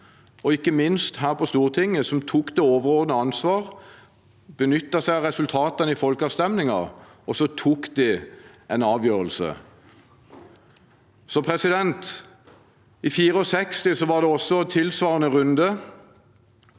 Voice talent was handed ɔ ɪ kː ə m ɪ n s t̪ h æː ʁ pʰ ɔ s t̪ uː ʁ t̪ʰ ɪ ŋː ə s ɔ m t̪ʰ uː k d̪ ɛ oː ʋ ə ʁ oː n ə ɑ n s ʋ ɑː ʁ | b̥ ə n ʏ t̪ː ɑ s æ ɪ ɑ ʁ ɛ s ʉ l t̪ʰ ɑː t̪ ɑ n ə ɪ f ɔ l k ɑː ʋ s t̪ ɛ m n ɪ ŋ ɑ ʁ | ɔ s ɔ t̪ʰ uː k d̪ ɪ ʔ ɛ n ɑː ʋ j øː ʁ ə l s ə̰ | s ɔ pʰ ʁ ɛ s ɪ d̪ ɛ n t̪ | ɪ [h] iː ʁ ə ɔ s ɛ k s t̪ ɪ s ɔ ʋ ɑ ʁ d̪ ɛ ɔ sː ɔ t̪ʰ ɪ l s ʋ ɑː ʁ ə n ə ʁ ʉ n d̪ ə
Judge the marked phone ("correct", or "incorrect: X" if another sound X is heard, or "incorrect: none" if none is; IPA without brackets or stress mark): incorrect: f